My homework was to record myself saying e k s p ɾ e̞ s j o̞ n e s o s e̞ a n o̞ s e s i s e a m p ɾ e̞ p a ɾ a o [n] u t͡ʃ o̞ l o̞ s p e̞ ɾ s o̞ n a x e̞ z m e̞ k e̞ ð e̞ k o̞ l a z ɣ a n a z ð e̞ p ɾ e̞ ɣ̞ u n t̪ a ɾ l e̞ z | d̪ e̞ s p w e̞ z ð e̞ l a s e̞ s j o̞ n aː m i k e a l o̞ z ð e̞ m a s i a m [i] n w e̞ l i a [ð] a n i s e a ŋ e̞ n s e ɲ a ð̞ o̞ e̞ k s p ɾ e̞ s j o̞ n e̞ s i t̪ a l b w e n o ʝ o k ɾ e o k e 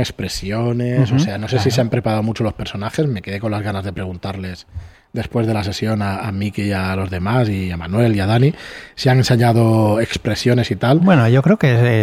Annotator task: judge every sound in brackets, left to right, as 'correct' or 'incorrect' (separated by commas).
incorrect, incorrect, correct